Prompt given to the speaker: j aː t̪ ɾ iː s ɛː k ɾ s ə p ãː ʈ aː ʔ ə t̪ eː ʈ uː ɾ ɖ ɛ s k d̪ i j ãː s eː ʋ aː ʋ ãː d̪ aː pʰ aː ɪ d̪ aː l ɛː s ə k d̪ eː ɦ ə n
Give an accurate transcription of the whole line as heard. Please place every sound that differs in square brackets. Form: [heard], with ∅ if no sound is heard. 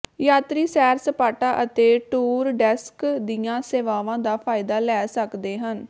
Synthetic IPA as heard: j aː t̪ ɾ iː s ɛː [∅] ɾ s ə p [aː] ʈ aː ʔ ə t̪ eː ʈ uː ɾ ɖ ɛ s k d̪ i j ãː s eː ʋ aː ʋ ãː d̪ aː pʰ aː ɪ d̪ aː l ɛː s ə k d̪ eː ɦ ə n